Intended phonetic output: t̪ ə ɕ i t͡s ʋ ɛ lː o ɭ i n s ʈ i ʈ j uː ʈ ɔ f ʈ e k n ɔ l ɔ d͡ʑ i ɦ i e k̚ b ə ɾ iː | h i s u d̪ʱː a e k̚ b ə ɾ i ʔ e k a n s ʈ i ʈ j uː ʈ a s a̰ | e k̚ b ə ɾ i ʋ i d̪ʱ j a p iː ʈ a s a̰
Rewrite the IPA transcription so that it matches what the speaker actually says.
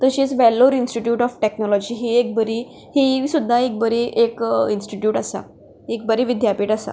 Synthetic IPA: t̪ ə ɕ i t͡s ʋ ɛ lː o ɾ i n s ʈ i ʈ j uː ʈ ɔ f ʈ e k n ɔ l ɔ d͡ʑ i ɦ i e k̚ b ə ɾ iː | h i s u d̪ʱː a e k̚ b ə ɾ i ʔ e k i n s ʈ i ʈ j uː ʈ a s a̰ | e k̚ b ə ɾ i ʋ i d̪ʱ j a p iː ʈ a s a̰